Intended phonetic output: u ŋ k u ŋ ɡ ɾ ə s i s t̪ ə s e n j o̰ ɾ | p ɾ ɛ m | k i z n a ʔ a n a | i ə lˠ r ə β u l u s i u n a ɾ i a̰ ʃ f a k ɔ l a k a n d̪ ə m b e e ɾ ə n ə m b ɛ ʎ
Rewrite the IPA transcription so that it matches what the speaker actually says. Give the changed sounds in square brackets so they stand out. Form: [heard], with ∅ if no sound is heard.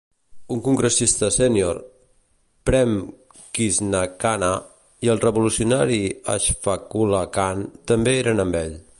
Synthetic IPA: u ŋ k u ŋ ɡ ɾ ə s i s t̪ ə s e n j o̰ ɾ | p ɾ ɛ m | k i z n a [k] a n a | i ə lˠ r ə β u l u s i u n a ɾ i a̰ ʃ f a k [u] l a k a n [t̪] ə m b e e ɾ ə n ə m b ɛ ʎ